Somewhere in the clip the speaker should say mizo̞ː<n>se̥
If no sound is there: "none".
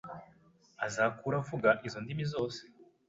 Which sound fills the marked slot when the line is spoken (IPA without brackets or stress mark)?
none